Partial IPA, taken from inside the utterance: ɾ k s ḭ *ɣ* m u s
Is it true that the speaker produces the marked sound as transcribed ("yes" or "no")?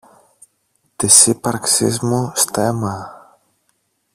no